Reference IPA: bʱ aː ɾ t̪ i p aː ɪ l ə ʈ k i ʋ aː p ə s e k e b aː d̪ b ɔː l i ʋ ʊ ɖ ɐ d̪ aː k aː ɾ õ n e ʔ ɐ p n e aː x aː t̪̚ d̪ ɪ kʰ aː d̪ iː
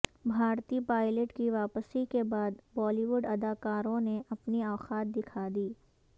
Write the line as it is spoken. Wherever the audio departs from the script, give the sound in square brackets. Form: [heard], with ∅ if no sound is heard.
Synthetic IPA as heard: bʱ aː ɾ t̪ i p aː ɪ l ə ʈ k i ʋ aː p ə s [i] k e b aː d̪ b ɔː l i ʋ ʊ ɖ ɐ d̪ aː k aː ɾ õ n e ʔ ɐ p n [i] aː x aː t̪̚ d̪ ɪ kʰ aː d̪ iː

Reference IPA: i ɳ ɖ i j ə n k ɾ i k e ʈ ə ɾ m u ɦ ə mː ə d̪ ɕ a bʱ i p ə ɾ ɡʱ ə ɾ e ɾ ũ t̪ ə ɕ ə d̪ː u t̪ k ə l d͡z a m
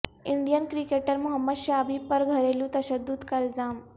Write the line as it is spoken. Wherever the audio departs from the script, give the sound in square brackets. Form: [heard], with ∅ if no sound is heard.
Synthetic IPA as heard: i ɳ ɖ i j ə n k ɾ i k e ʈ ə ɾ m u ɦ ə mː ə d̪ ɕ a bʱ i p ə ɾ ɡʱ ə ɾ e [l] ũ t̪ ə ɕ ə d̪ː u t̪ k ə l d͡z a m

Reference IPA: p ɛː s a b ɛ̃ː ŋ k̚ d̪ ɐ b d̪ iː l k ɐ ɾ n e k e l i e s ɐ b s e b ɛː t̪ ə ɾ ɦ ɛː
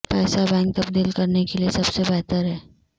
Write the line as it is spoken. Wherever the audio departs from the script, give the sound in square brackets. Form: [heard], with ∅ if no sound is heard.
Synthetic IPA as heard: p ɛː s a b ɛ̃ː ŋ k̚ [t̪] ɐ b d̪ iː l k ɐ ɾ n e k e l i e s ɐ b s e b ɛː t̪ ə ɾ ɦ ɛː

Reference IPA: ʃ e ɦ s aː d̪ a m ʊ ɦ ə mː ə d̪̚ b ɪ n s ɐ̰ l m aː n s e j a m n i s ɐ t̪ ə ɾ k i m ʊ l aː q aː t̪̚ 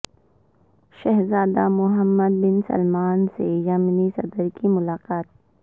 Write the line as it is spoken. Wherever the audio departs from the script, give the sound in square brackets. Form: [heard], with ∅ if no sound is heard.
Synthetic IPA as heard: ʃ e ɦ [z] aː d̪ a m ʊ ɦ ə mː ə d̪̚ b ɪ n s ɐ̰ l m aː n s e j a m n i s ɐ [d̪] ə ɾ k i m ʊ l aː q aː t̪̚

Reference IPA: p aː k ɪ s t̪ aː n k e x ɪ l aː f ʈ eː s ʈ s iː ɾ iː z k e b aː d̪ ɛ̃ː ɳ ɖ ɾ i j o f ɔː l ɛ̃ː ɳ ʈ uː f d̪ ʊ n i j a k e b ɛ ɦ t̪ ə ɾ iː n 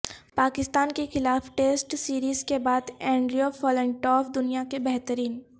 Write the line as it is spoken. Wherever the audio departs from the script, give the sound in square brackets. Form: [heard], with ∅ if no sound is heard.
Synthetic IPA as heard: p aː k ɪ s t̪ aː n k e x ɪ l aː f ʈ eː s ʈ s iː ɾ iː z k e b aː d̪ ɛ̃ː ɳ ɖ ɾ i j o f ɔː l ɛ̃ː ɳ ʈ [ɔː] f d̪ ʊ n i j a k e b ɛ ɦ t̪ ə ɾ iː n

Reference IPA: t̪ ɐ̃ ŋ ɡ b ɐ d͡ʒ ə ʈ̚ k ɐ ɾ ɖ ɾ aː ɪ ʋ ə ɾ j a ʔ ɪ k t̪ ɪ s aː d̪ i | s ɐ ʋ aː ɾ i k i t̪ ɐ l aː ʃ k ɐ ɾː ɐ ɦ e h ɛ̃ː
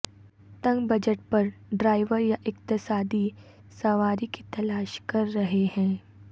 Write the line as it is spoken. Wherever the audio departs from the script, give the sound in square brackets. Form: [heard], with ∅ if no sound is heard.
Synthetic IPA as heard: t̪ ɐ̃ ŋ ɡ b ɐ d͡ʒ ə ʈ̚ [p] ɐ ɾ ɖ ɾ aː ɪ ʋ ə ɾ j a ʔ ɪ k t̪ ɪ s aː d̪ i | s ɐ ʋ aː ɾ i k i t̪ ɐ l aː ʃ k ɐ ɾː ɐ ɦ e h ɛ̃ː

